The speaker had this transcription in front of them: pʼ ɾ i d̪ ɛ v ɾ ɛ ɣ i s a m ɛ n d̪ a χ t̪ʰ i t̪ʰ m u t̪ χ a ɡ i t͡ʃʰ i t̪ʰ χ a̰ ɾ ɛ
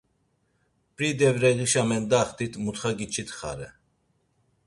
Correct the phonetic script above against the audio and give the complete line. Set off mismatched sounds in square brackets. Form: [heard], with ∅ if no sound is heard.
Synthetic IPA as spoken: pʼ ɾ i d̪ ɛ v ɾ ɛ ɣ i [ʃ] a m ɛ n d̪ a χ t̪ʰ i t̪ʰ m u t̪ χ a ɡ i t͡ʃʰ i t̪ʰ χ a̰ ɾ ɛ